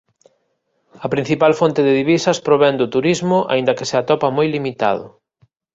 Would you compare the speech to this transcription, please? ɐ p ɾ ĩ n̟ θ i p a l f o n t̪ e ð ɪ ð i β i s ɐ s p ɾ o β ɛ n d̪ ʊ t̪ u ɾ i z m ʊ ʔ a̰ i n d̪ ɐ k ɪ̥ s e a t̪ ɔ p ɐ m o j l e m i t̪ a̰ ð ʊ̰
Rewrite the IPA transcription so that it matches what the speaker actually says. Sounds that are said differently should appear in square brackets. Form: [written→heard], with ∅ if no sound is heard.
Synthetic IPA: ɐ p ɾ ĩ n̟ θ i p a l f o n t̪ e ð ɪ ð i β i s ɐ s p ɾ o β ɛ n d̪ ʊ t̪ u ɾ i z m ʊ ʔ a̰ i n d̪ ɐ k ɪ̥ s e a t̪ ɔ p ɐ m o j l [e→i] m i t̪ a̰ ð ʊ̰